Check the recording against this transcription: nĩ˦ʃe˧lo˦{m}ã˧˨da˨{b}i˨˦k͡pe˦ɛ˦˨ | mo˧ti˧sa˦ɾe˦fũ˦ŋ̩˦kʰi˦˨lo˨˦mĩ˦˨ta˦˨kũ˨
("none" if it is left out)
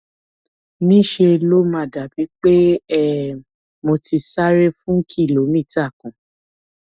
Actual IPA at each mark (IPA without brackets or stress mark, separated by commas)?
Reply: m, b